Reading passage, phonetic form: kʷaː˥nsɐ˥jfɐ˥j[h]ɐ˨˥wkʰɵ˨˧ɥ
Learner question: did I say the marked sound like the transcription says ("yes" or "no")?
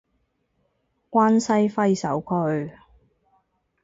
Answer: no